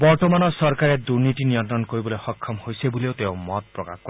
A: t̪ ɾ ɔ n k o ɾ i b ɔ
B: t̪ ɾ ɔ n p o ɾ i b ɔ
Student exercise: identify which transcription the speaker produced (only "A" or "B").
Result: A